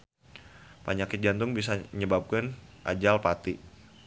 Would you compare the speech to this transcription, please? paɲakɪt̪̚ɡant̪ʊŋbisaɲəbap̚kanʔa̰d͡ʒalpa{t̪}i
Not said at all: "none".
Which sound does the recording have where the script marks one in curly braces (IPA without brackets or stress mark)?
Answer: t̪